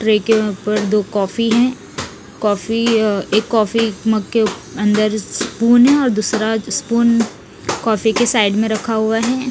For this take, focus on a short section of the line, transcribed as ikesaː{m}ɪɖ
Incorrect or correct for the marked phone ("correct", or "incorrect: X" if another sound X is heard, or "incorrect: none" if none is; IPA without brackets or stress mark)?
incorrect: none